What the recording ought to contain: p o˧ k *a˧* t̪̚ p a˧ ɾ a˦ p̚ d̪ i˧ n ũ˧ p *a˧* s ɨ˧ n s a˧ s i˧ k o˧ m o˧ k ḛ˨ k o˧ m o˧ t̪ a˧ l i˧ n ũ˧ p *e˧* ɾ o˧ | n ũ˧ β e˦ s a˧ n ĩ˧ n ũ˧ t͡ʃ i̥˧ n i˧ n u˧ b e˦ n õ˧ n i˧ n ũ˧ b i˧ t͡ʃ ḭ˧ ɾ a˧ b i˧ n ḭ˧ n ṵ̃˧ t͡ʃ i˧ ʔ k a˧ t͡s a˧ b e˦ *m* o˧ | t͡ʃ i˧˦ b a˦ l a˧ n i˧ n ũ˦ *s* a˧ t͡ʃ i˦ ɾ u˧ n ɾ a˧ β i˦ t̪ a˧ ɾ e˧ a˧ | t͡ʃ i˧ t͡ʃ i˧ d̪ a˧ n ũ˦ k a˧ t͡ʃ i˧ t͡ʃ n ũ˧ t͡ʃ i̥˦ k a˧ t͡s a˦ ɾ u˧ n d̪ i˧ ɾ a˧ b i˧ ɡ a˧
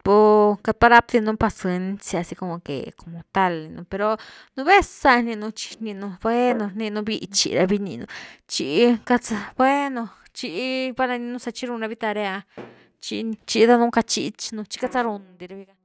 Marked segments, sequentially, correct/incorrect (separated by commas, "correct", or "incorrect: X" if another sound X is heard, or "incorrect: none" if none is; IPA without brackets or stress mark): correct, correct, correct, incorrect: n, correct